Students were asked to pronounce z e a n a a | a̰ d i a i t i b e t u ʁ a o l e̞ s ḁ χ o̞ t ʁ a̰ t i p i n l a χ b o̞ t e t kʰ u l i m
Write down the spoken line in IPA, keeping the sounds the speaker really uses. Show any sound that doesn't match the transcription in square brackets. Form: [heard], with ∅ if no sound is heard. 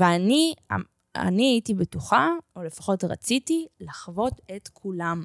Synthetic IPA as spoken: [v] e a n [i] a | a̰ [n] i a i t i b e t u [χ] a o l e̞ [f] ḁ χ o̞ t ʁ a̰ [t͡s] i [t] i [∅] l a χ [v] o̞ t e t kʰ u l [a] m